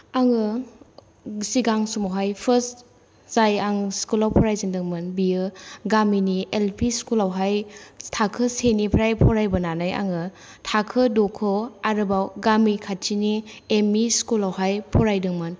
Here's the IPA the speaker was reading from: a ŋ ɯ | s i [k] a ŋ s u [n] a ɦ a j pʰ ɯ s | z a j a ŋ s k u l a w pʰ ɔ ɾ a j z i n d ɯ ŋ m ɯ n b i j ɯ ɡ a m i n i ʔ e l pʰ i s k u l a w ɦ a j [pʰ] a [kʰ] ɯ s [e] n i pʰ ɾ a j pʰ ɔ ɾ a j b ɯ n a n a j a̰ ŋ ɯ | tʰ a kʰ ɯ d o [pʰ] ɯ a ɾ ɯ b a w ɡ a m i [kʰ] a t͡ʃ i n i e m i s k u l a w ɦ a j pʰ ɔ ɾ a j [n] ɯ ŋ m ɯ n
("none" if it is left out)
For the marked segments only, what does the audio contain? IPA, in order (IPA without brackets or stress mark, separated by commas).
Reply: ɡ, m, tʰ, kʰ, e, kʰ, kʰ, d